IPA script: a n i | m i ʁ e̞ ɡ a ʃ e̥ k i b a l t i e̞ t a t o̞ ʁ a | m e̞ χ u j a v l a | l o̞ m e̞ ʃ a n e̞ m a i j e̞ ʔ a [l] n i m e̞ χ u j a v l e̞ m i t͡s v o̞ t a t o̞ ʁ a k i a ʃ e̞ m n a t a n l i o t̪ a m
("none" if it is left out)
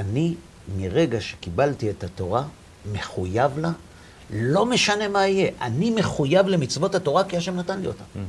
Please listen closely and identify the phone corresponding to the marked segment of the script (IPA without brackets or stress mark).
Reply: none